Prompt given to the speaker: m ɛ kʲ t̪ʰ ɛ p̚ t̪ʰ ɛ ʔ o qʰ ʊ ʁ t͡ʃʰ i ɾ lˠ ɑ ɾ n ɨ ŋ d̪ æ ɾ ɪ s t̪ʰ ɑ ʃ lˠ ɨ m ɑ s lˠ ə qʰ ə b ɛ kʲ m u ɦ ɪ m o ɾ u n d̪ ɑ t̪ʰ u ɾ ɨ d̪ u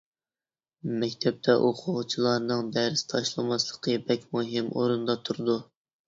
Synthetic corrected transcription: m ɛ kʲ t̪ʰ ɛ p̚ t̪ʰ ɛ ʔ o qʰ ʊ ʁ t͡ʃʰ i lˠ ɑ ɾ n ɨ ŋ d̪ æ ɾ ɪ s t̪ʰ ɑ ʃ lˠ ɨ m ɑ s lˠ ə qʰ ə b ɛ kʲ m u ɦ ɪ m o ɾ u n d̪ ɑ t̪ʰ u ɾ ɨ d̪ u